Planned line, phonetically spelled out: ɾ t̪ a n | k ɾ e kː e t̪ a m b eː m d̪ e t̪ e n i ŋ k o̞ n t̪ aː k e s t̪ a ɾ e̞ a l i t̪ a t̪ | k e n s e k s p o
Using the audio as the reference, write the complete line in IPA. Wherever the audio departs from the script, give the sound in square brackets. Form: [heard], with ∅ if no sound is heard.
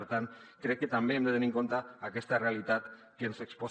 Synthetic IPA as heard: ɾ t̪ a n | k ɾ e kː e t̪ a m b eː m d̪ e t̪ e n i ŋ k o̞ n t̪ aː k e s t̪ a [r] e̞ a l i t̪ a t̪ | k e n s e k s p o